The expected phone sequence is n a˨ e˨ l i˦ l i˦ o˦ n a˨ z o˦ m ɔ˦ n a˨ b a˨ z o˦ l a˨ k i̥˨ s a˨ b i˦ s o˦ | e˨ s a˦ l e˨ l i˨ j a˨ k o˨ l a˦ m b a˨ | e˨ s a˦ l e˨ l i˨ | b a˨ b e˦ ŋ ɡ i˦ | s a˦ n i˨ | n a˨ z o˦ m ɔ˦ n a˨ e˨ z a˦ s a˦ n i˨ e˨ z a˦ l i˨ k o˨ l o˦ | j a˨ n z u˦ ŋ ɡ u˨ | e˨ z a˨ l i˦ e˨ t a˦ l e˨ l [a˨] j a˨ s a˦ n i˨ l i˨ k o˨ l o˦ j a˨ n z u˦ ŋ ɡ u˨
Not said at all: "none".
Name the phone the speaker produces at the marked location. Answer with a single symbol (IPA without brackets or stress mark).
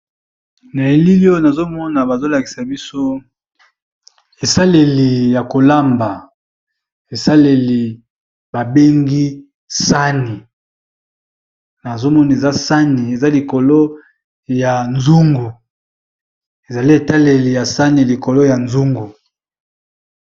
i˨